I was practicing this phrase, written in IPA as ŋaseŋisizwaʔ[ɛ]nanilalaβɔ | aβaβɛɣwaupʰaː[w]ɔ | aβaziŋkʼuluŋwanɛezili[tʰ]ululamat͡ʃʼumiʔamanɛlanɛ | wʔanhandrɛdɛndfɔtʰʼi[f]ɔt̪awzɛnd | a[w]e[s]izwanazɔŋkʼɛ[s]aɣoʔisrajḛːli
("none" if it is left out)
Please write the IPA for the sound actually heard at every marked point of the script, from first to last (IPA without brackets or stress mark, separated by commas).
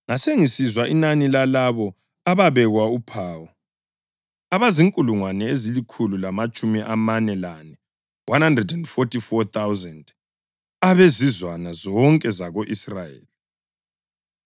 i, w, kʰ, f, β, z, z